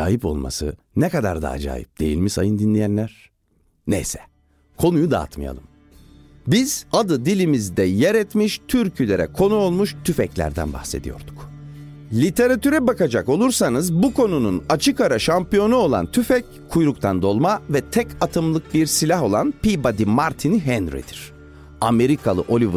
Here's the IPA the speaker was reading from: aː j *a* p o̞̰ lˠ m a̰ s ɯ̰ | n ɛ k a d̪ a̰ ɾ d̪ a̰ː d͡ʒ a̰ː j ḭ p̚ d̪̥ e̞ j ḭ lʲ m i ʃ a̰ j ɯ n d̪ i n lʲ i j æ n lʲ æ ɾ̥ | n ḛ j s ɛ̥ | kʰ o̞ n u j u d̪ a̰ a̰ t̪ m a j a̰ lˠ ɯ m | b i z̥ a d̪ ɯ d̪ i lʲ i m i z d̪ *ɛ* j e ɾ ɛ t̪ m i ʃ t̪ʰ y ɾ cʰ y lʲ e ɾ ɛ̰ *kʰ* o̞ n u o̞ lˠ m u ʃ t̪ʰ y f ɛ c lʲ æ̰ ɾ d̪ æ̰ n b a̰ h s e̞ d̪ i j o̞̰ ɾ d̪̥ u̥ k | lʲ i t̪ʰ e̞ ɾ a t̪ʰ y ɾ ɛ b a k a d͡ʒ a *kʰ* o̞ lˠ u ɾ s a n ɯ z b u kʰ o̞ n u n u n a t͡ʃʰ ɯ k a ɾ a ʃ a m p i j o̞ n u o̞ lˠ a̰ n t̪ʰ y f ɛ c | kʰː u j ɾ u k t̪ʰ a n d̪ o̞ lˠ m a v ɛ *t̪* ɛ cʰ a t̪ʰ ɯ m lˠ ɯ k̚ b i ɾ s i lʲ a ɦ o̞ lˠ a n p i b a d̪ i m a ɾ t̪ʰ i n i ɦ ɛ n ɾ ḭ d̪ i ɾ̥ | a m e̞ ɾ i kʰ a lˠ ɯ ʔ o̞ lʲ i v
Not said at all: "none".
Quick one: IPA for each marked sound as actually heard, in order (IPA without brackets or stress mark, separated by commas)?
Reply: i, ɛ, kʰ, k, t̪ʰ